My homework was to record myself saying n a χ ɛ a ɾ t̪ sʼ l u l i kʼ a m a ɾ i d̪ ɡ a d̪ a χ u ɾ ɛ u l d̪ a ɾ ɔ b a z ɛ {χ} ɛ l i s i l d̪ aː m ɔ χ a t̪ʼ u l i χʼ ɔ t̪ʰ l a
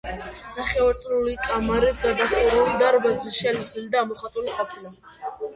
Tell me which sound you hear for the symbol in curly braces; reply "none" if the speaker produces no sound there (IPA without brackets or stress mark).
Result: ʃ